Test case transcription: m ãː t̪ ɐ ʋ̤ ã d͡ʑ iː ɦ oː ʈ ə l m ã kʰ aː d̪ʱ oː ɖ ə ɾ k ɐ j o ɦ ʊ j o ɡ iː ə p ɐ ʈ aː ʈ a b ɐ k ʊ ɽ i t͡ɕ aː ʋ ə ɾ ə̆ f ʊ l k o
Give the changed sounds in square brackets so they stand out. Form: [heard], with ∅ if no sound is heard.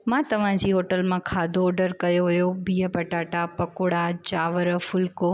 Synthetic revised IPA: m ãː t̪ ɐ ʋ̤ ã d͡ʑ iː ɦ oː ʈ ə l m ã kʰ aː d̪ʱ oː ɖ ə ɾ k ɐ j o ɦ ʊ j o [b] iː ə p ɐ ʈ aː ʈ a [p] ɐ k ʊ ɽ [a] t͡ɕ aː ʋ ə ɾ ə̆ f ʊ l k o